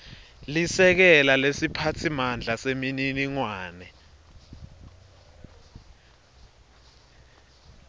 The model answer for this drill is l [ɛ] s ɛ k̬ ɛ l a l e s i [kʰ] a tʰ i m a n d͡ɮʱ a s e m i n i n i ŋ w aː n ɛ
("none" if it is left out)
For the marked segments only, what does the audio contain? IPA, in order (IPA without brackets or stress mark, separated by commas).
i, pʰ